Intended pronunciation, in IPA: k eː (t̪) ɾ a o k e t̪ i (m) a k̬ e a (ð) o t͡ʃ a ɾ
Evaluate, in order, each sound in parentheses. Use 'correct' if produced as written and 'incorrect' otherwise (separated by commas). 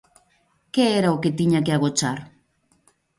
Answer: incorrect, incorrect, incorrect